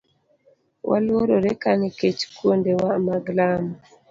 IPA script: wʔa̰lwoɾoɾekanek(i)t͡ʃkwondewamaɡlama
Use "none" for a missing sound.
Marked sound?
e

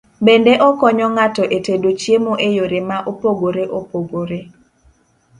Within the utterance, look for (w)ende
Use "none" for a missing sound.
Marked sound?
b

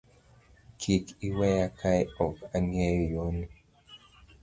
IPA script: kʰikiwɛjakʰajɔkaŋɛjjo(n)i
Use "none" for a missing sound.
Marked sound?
n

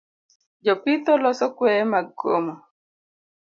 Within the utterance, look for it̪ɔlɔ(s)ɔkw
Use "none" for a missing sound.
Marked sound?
s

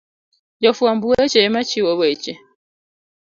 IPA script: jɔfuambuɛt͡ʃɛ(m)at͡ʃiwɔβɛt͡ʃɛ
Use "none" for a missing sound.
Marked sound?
m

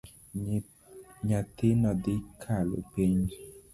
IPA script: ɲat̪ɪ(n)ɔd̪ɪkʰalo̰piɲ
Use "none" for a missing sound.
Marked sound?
n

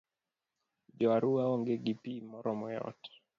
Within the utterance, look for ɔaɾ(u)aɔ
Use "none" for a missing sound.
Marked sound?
u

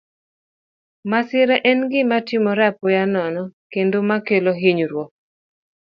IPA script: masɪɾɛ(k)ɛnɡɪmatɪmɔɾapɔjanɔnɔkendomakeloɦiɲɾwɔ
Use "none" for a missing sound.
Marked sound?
ʔ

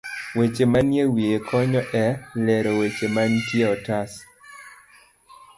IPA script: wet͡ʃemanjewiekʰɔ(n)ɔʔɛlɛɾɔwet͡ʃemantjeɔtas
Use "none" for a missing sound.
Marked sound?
ɲ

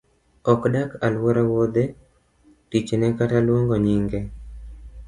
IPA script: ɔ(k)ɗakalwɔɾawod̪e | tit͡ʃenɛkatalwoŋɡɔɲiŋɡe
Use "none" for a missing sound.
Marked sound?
k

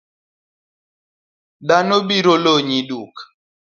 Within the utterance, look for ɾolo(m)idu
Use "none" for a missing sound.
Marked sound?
ɲ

